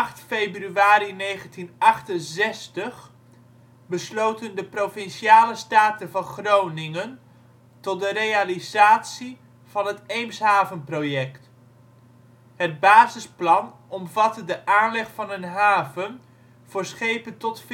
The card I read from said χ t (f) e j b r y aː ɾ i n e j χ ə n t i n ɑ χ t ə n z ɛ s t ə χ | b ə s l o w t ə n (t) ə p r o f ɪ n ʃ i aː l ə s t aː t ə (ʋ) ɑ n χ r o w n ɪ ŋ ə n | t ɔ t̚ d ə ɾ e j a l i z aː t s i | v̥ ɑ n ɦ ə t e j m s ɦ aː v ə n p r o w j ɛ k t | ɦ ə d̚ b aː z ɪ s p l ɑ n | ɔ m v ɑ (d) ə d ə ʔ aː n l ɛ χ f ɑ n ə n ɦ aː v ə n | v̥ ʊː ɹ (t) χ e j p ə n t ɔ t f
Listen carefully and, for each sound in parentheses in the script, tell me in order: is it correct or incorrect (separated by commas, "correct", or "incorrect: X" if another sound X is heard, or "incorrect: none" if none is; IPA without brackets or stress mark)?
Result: correct, incorrect: d, incorrect: v, incorrect: t, incorrect: s